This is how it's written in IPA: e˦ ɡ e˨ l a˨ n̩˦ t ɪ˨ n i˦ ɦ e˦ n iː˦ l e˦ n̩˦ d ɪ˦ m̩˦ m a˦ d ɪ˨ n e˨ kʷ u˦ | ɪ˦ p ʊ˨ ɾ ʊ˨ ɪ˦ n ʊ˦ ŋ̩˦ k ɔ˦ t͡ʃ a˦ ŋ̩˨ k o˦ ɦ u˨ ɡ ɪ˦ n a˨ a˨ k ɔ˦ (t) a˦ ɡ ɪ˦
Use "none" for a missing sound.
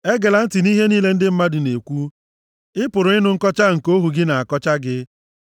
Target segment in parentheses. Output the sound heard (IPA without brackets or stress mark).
t͡ʃ